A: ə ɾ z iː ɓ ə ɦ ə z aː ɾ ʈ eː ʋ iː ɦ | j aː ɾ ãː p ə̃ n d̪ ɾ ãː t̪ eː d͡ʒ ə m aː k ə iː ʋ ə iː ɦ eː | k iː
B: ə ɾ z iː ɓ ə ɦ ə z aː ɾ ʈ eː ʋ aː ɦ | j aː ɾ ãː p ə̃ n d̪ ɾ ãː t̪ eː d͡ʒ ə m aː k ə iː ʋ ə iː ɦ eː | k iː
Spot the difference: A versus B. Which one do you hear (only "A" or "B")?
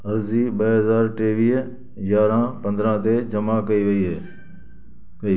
A